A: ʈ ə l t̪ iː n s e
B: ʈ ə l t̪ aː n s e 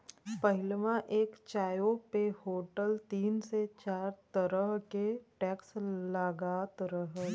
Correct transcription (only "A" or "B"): A